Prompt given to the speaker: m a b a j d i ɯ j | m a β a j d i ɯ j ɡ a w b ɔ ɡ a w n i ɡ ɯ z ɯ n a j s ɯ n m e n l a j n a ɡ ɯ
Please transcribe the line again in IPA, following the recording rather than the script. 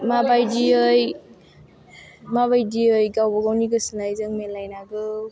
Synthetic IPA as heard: m a b a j d i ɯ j | m a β a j d i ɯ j ɡ a w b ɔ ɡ a w n i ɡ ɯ s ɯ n a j z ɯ ŋ m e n l a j n a ɡ ɯ

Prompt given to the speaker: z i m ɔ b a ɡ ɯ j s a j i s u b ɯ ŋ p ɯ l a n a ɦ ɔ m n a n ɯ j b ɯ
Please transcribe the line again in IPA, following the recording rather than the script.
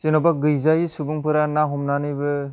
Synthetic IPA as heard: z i n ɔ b a ɡ ɯ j z a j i s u b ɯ ŋ p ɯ ɾ a n a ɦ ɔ m n a n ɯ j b ɯ

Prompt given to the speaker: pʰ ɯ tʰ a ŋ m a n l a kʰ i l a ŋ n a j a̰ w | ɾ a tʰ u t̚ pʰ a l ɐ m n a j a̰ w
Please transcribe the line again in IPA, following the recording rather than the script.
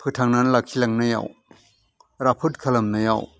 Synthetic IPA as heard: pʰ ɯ tʰ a ŋ n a n l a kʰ i l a ŋ n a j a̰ w | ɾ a pʰ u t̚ kʰ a l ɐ m n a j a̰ w

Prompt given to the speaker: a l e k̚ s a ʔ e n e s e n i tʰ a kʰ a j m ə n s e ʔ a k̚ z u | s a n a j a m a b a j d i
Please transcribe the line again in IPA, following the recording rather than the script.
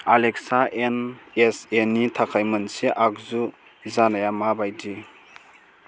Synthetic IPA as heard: a l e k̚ s a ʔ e n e s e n i tʰ a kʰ a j m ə n s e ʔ a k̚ z u | z a n a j a m a b a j d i

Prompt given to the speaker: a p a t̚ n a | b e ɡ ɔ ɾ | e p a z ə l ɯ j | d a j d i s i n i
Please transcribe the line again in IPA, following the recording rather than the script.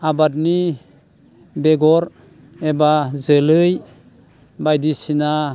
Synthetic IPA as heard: a b a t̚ n i | b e ɡ ɔ ɾ | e b a z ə l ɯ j | b a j d i s i n a

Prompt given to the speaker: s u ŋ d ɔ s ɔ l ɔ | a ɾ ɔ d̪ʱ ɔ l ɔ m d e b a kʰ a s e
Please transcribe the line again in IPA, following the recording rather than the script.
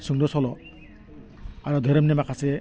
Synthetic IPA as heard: s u ŋ d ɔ s ɔ l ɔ | a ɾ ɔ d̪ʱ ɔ ɾ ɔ m n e m a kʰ a s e

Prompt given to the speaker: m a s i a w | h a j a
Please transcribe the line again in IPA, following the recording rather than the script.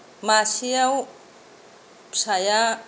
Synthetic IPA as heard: m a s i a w | s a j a

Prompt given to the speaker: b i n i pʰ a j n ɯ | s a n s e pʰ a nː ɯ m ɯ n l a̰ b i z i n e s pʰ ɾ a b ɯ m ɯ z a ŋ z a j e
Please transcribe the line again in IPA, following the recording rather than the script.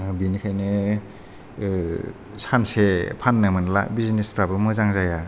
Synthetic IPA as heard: b i n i kʰ a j n ɯ | s a n s e pʰ a nː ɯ m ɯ n l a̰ b i z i n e s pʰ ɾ a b ɯ m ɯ z a ŋ z a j a

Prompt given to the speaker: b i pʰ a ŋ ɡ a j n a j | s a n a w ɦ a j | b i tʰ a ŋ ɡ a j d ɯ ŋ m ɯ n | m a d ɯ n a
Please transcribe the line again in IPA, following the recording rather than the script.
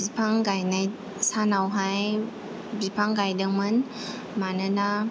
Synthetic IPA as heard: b i pʰ a ŋ ɡ a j n a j | s a n a w ɦ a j | b i pʰ a ŋ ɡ a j d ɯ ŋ m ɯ n | m a n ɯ n a

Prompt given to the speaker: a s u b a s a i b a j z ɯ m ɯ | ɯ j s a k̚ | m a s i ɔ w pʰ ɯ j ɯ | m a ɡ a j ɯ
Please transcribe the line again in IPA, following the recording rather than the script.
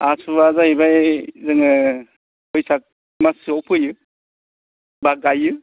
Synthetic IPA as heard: a s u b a z a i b a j z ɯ ŋ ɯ | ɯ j s a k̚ | m a s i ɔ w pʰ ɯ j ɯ | b a ɡ a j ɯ

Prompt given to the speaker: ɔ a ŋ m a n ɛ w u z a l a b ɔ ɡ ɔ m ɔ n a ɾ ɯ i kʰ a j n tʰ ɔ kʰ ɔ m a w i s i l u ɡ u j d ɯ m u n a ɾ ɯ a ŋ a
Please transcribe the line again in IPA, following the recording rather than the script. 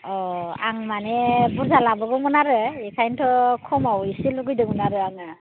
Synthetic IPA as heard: ɔ a ŋ m a n ɛ b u z a l a b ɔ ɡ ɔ m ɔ n a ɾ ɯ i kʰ a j n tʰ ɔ kʰ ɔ m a w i s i l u ɡ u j d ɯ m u n a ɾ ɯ a ŋ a

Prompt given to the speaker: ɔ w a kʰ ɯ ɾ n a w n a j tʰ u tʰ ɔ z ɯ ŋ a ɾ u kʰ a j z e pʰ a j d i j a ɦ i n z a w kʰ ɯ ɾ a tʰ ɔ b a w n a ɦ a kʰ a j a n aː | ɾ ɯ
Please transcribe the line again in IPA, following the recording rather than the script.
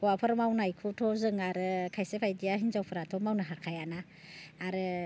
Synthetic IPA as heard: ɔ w a pʰ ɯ ɾ m a w n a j kʰ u tʰ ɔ z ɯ ŋ a ɾ ɯ kʰ a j s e pʰ a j d i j a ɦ i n z a w pʰ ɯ ɾ a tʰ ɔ m a w n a ɦ a kʰ a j a n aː | ɾ ɯ

